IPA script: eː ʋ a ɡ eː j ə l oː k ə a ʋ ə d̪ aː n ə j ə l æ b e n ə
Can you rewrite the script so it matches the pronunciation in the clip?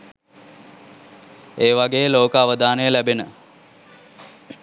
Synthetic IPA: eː ʋ a ɡ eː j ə l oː k ə a ʋ ə d̪ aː n ə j ə l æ b e n ə